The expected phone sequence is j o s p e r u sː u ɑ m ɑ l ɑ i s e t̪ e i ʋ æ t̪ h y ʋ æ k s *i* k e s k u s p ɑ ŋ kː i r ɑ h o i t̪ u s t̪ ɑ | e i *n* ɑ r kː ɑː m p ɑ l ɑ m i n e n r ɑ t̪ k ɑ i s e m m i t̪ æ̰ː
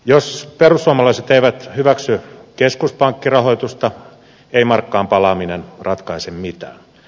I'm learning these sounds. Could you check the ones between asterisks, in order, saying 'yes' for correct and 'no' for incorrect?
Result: no, no

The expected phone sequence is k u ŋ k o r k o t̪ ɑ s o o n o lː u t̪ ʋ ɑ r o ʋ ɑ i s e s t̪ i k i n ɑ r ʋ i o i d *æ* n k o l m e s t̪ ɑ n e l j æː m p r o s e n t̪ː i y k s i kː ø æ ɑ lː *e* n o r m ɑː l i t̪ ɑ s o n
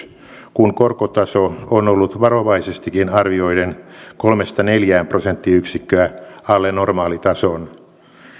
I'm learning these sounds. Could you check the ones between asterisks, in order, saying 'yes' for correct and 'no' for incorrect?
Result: no, yes

